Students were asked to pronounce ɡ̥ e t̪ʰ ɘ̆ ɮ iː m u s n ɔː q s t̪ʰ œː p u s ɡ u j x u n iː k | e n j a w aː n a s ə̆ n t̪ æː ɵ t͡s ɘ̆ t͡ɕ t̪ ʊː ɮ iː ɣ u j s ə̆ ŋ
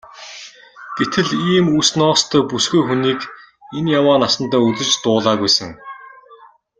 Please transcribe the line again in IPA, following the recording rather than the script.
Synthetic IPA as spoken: ɡ̥ e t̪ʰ ɘ̆ ɮ iː m u s n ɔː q s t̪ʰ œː p u s ɡ u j x u n iː k | e n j a w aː n a s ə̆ n t̪ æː ɵ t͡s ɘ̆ t͡ɕ t̪ ʊː ɮ aː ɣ u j s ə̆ ŋ

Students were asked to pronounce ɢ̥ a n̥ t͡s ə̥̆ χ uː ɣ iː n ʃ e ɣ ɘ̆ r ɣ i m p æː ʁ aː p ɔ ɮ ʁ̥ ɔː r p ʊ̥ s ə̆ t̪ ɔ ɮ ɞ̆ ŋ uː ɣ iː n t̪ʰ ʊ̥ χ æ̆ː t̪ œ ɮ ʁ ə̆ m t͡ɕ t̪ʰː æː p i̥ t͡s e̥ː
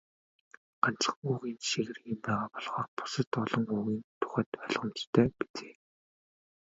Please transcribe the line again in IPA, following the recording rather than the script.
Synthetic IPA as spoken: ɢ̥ a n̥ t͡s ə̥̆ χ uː ɣ iː n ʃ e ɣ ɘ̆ r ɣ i m p æː ʁ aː p ɔ ɮ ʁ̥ ɔː r p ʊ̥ s ə̆ t̪ ɔ ɮ ɞ̆ ŋ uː ɣ iː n t̪ʰ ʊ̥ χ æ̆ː t̪ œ ɮ ʁ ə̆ m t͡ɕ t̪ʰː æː p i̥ t͡s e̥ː

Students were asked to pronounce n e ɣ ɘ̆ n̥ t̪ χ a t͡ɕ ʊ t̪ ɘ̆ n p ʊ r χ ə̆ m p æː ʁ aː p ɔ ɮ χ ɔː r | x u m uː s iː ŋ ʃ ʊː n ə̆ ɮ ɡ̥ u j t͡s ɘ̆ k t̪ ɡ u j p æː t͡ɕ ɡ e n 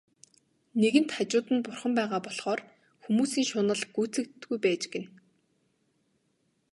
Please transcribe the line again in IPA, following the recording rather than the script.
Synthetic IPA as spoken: n e ɣ ɘ̆ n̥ t̪ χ a t͡ɕ ʊː t̪ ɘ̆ n p ʊ r χ ə̆ m p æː ʁ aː p ɔ ɮ χ ɔː r | x u m uː s iː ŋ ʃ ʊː n ə̆ ɮ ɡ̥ u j t͡s ɘ̆ k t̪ ɡ u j p æː t͡ɕ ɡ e n

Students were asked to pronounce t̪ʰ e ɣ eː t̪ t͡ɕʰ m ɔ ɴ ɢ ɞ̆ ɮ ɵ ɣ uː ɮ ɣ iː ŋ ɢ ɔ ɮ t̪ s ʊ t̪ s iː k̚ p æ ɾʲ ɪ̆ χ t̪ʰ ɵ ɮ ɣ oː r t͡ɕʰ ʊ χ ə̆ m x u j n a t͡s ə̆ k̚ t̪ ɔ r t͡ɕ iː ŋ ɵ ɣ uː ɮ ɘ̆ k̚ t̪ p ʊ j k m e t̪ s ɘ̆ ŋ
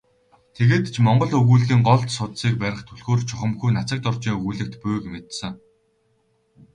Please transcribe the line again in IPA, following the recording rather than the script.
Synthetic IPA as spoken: t̪ʰ e ɣ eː t̪ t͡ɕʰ m ɔ ɴ ɢ ɞ̆ ɮ ɵ ɣ uː ɮ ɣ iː ŋ ɢ ɔ ɮ t̪ s ʊ t̪ s iː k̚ p æ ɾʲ ɪ̆ χ t̪ʰ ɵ ɮ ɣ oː r t͡ɕʰ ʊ χ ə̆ m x u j n a t͡s ə̆ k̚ t̪ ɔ r t͡ɕ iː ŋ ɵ ɣ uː ɮ ɘ̆ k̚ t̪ p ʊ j k m e t̪ s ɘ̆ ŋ

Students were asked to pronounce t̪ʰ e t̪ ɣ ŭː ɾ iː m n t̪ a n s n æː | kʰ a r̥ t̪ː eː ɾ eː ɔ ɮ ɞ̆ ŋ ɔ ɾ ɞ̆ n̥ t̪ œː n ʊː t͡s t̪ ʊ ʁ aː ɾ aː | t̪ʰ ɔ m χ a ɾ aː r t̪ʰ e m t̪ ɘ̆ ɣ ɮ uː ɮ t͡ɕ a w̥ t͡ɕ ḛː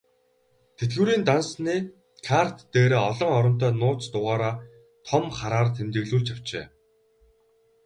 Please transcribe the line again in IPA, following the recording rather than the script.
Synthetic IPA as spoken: t̪ʰ e t̪ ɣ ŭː ɾ iː n t̪ a n s n iː | kʰ a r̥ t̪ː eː ɾ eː ɔ ɮ ɞ̆ ŋ ɔ ɾ ɞ̆ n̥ t̪ œː n ʊː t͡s t̪ ʊ ʁ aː ɾ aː | t̪ʰ ɔ m χ a ɾ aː r t̪ʰ e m t̪ ɘ̆ ɣ ɮ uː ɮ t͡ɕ a w̥ t͡ɕ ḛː

